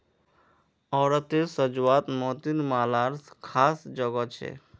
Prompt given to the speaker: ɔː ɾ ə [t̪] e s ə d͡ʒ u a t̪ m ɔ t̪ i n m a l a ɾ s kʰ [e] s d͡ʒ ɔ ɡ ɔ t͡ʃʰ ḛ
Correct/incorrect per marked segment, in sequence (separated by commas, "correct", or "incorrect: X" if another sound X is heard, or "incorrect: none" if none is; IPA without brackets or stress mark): correct, incorrect: a